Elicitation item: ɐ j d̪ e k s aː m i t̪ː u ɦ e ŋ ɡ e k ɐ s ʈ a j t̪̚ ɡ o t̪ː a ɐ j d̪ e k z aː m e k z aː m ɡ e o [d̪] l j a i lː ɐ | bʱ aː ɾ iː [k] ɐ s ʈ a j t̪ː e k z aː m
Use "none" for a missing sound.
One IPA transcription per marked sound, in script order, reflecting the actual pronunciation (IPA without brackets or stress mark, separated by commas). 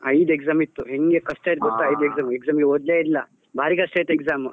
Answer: d̪, k